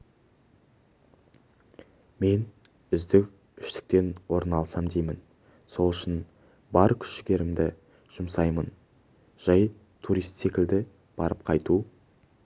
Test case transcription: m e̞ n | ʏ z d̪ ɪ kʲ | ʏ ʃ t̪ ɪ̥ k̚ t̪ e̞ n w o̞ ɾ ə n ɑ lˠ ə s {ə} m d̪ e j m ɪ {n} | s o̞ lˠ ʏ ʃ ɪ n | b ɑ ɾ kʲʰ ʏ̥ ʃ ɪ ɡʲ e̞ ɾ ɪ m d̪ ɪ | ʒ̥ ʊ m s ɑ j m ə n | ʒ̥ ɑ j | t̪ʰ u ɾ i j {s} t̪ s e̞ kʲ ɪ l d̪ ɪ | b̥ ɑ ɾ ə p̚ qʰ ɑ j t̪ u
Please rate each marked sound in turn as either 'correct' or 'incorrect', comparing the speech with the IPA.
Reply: incorrect, correct, correct

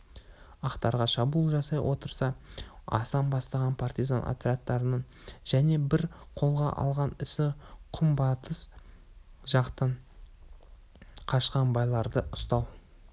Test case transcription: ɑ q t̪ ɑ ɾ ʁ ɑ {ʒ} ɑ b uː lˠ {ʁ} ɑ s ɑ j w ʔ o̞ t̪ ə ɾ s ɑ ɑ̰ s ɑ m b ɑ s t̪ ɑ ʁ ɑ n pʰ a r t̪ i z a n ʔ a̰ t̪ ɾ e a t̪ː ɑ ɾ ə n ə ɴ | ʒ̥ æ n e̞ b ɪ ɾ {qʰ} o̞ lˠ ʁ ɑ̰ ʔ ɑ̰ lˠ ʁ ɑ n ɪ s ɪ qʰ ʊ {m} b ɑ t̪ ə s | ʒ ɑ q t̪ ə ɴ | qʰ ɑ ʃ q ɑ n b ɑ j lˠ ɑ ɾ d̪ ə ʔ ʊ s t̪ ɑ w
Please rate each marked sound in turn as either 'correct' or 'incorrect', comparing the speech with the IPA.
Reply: incorrect, incorrect, correct, correct

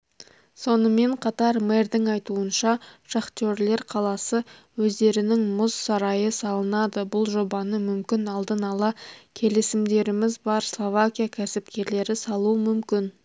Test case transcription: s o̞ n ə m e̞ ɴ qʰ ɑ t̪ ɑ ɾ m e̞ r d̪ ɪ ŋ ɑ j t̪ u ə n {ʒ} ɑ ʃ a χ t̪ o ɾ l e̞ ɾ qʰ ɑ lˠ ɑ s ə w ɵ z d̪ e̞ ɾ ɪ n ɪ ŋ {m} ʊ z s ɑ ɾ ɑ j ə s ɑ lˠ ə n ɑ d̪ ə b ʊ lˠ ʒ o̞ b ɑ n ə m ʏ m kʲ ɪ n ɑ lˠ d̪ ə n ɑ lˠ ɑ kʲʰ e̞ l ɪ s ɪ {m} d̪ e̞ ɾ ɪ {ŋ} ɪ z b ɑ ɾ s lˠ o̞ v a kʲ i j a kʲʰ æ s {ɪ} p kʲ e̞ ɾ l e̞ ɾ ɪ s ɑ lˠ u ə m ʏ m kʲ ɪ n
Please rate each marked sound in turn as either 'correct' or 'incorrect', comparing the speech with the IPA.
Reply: incorrect, correct, correct, incorrect, correct

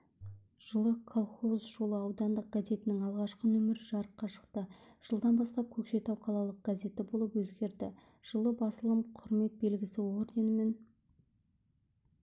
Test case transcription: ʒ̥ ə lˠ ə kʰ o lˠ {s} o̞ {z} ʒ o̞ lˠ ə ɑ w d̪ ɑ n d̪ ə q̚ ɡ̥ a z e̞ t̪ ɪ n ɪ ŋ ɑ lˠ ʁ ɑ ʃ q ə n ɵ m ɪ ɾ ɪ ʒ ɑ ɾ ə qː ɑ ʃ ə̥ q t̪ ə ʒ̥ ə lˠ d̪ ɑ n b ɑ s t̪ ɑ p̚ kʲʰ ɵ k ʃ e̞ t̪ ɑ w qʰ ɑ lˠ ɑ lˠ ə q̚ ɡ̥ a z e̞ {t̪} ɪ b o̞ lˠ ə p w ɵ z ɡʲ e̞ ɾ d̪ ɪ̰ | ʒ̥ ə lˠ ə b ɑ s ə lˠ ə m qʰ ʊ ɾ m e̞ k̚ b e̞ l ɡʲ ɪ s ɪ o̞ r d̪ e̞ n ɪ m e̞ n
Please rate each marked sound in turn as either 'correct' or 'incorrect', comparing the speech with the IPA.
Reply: incorrect, correct, correct

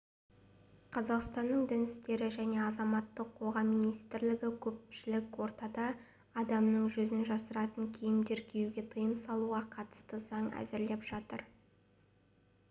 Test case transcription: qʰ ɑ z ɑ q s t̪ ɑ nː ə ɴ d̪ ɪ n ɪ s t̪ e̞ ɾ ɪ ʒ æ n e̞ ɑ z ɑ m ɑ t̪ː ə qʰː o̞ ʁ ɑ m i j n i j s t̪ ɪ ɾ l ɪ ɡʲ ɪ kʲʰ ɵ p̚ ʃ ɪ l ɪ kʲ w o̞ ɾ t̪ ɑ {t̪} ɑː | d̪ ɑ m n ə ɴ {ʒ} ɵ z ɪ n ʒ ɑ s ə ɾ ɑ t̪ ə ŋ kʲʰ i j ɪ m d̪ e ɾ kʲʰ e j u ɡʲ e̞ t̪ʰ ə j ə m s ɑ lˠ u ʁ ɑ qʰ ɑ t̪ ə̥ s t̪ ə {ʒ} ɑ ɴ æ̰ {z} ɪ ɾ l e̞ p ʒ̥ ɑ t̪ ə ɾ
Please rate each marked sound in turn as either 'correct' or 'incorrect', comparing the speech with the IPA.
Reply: incorrect, correct, incorrect, correct

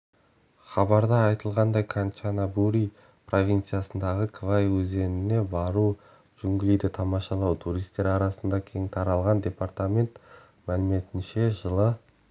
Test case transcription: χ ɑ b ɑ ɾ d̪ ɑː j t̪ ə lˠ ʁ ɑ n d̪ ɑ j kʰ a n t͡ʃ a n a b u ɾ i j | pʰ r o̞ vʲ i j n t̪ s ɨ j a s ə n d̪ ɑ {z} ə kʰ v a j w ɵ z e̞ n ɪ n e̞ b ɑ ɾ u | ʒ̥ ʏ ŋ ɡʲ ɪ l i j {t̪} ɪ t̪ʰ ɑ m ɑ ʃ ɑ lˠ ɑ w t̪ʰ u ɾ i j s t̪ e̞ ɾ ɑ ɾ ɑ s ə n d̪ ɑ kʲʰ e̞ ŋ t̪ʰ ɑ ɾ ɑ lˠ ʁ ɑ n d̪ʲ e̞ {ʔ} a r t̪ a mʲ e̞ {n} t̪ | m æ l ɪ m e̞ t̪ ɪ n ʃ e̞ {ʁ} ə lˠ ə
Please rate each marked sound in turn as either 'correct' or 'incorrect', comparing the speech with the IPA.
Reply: incorrect, incorrect, incorrect, correct, incorrect

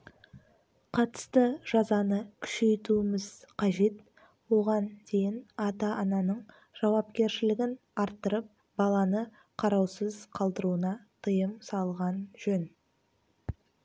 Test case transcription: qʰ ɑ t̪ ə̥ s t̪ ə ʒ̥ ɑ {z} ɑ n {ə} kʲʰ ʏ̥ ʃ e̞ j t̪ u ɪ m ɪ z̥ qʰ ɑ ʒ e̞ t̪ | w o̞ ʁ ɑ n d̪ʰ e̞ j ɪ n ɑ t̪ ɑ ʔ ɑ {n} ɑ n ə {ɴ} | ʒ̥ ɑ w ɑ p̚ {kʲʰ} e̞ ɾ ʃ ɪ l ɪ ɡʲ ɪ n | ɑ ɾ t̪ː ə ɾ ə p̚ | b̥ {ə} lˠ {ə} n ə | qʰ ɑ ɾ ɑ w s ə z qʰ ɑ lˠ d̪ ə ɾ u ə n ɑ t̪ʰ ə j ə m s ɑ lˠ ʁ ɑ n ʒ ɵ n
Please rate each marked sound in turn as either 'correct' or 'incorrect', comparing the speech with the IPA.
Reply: correct, correct, correct, correct, incorrect, incorrect, incorrect

